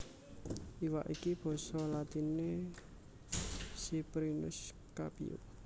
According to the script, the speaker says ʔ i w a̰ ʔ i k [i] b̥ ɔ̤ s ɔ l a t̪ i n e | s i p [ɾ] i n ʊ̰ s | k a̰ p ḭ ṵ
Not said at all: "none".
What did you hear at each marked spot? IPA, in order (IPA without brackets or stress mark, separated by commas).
i, ɾ